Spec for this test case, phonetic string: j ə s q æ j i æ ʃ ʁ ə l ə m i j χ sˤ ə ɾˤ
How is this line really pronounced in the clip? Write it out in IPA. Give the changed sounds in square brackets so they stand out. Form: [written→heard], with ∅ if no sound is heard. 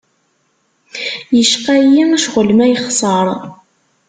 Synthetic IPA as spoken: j ə [s→ʃ] q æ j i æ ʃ ʁ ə l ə m [i→æ] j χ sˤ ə ɾˤ